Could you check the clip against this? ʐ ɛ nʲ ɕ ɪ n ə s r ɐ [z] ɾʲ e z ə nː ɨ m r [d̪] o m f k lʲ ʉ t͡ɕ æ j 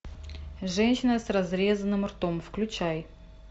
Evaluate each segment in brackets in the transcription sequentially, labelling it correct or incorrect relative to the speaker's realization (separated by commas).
correct, incorrect